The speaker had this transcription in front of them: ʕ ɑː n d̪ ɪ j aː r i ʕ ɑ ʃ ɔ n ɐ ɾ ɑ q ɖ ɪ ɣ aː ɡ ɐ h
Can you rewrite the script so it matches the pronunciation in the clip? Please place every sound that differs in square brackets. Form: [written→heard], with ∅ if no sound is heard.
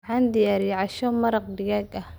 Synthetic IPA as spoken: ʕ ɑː n d̪ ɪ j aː [r→ɾ] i ʕ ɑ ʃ ɔ [n→m] ɐ ɾ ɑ q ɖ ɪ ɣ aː ɡ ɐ h